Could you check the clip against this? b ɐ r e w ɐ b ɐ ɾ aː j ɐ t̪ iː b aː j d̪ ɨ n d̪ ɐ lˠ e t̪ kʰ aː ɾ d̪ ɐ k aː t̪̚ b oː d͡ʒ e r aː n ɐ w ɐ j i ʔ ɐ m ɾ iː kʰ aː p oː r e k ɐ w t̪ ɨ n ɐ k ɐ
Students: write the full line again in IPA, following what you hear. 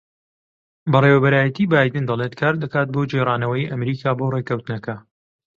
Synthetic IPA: b ɐ r e w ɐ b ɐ ɾ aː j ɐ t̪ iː b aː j d̪ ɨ n d̪ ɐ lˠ e t̪ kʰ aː ɾ d̪ ɐ k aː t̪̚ b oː d͡ʒ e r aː n ɐ w ɐ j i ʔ ɐ m ɾ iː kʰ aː b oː r e k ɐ w t̪ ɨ n ɐ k ɐ